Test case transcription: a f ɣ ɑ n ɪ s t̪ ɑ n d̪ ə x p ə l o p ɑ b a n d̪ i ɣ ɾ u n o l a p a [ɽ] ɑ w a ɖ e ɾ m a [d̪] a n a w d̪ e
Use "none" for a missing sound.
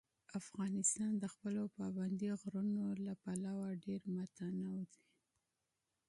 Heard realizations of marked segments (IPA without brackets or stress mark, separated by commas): l, t̪